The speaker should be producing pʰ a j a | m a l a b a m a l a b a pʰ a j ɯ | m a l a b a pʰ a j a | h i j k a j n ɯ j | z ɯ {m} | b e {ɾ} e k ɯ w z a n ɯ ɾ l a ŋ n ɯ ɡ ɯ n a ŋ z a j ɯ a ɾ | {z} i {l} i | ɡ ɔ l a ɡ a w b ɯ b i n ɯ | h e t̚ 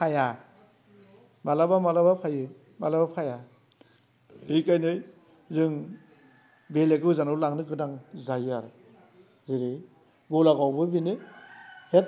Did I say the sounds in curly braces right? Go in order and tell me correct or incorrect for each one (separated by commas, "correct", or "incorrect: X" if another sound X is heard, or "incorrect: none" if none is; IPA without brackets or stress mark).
incorrect: ŋ, incorrect: l, correct, incorrect: ɾ